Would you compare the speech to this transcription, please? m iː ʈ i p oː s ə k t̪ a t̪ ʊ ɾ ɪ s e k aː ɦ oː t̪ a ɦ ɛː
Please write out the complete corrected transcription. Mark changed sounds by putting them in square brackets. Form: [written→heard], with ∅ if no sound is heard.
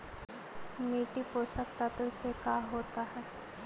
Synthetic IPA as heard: m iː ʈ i p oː s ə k t̪ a t̪ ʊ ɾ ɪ s e k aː ɦ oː t̪ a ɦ ɛː